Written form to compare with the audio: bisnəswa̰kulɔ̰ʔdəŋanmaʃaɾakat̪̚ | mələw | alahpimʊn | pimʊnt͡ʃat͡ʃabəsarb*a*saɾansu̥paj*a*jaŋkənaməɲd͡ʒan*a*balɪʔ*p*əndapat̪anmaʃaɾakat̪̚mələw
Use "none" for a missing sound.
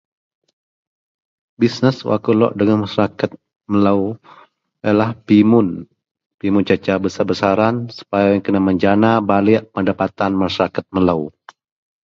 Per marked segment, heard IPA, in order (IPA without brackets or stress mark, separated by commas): ə, a, a, p